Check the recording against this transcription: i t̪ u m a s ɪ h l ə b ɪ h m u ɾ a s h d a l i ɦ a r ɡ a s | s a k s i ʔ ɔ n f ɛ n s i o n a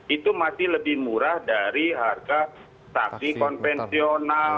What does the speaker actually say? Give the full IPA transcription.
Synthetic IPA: i t̪ u m a s ɪ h l ə b ɪ h m u ɾ a h d a ɾ i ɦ a r ɡ a | s a k s i k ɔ n f ɛ n s i o n a